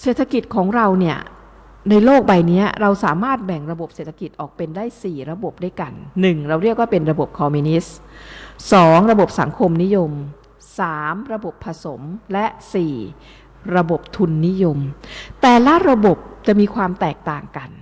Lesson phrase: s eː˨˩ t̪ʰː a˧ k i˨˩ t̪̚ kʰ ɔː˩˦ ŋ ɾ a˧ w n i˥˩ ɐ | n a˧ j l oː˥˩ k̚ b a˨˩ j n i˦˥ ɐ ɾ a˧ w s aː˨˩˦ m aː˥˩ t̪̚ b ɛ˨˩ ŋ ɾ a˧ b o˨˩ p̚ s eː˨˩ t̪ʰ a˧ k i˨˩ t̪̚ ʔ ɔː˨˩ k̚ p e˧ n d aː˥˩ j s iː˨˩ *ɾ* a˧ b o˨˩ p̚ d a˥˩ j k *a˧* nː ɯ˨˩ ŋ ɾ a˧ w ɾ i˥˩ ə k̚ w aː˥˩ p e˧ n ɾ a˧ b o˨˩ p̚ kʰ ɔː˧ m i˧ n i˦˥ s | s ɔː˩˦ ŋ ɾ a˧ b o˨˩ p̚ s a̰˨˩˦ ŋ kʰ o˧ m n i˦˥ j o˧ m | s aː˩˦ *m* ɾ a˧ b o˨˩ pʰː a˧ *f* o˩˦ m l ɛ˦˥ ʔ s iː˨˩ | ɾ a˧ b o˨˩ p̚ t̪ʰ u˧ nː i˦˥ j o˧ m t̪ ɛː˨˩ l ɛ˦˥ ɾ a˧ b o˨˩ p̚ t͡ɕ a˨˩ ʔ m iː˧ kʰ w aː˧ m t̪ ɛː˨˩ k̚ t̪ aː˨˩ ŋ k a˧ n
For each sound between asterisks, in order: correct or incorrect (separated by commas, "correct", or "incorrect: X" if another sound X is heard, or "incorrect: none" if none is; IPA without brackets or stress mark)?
correct, correct, correct, incorrect: s